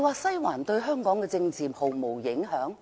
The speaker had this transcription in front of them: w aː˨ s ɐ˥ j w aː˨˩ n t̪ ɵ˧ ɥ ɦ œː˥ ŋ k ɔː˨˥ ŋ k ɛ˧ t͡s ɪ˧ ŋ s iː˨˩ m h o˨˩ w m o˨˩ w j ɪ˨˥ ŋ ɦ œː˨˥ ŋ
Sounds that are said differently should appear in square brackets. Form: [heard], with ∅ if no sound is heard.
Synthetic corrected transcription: w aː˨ s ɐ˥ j w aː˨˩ n t̪ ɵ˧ ɥ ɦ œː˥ ŋ k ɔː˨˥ ŋ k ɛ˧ t͡s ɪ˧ ŋ [t͡s] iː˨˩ m h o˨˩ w m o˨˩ w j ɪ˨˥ ŋ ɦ œː˨˥ ŋ